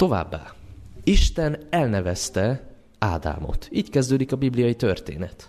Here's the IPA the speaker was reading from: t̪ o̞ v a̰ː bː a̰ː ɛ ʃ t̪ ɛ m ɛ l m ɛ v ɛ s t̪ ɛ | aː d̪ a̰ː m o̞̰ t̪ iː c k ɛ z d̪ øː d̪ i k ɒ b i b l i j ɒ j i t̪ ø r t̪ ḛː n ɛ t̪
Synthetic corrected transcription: t̪ o̞ v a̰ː bː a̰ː i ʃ t̪ ɛ n ɛ l n ɛ v ɛ s t̪ ɛ | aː d̪ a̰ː m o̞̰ t̪ iː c k ɛ z d̪ øː d̪ i k ɒ b i b l i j ɒ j i t̪ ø r t̪ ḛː n ɛ t̪